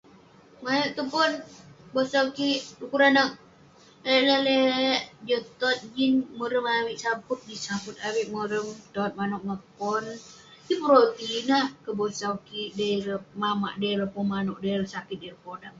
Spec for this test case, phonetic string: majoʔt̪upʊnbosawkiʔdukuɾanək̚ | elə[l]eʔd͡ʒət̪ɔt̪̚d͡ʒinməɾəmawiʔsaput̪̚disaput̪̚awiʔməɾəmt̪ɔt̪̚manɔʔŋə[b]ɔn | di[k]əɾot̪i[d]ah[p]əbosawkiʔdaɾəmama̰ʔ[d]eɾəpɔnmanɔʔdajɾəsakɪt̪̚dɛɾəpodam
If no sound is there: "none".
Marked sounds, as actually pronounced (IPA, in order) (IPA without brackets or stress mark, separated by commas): l, p, p, n, k, d